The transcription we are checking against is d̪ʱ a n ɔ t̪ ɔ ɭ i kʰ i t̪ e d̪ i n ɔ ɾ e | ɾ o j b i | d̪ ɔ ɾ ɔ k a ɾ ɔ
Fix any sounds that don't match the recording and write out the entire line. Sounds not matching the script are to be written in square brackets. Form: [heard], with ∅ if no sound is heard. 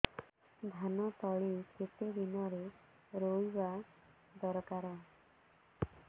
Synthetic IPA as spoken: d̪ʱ a n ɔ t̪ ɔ ɭ i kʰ [e] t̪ e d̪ i n ɔ ɾ e | ɾ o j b [a] | d̪ ɔ ɾ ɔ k a ɾ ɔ